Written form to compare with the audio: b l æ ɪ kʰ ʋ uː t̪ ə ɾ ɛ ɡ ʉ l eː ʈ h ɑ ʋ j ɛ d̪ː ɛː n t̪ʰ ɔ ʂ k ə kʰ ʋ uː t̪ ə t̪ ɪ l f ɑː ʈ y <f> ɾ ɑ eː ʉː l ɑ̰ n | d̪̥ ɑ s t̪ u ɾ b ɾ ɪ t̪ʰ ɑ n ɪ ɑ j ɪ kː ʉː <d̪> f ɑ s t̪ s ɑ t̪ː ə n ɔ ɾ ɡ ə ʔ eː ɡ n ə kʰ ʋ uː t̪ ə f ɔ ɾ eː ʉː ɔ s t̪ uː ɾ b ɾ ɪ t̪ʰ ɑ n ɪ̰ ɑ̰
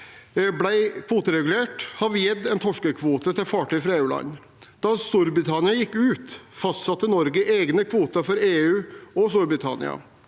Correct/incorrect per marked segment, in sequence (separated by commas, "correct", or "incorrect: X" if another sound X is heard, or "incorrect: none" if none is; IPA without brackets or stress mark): correct, incorrect: t̪